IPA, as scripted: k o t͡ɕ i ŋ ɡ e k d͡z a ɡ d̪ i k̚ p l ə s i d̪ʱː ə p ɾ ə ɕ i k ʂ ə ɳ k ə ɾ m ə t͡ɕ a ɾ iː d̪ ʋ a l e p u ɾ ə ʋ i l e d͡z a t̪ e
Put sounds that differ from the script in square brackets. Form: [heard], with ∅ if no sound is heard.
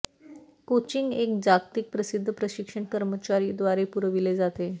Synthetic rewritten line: k o t͡ɕ i ŋ ɡ e k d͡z a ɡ [t̪] i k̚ p [ɾ] ə s i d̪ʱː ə p ɾ ə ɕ i k ʂ ə ɳ k ə ɾ m ə t͡ɕ a ɾ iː d̪ ʋ a [ɾ] e p u ɾ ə ʋ i l e d͡z a t̪ e